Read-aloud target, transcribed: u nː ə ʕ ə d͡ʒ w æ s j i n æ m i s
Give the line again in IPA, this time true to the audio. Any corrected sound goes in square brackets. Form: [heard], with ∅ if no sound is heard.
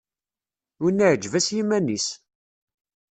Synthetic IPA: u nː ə ʕ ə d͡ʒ [v] æ s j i [m] æ [n] i s